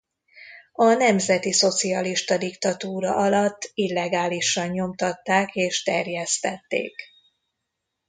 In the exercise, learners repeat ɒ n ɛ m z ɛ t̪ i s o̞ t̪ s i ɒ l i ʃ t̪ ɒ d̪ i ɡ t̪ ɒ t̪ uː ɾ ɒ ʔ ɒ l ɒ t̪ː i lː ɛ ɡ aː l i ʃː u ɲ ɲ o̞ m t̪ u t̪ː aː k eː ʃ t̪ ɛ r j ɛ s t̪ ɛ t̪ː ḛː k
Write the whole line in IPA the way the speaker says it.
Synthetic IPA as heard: ɒ n ɛ m z ɛ t̪ i s o̞ t̪ s i ɒ l i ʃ t̪ ɒ d̪ i k t̪ ɒ t̪ uː ɾ ɒ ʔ ɒ l ɒ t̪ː i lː ɛ ɡ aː l i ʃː ɒ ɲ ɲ o̞ m t̪ ɒ t̪ː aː k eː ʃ t̪ ɛ r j ɛ s t̪ ɛ t̪ː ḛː k